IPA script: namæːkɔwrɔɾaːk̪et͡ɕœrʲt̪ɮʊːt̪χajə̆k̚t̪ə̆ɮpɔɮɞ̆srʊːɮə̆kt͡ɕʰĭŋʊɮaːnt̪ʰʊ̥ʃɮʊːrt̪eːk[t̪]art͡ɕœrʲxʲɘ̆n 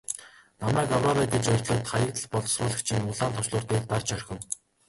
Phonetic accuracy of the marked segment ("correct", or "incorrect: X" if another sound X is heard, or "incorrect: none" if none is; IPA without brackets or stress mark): correct